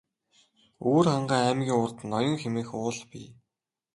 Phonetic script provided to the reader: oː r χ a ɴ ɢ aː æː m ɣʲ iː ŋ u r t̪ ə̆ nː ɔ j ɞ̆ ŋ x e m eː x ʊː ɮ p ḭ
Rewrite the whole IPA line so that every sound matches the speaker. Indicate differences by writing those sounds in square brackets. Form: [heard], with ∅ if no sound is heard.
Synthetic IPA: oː r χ a ɴ ɢ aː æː m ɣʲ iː ŋ [ʊ] r t̪ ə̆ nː ɔ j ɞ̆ ŋ x e m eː x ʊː ɮ p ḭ